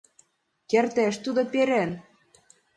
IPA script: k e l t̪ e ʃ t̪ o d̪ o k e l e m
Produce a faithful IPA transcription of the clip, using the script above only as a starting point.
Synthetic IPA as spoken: k e r t̪ e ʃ t̪ u d̪ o p e ɾ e n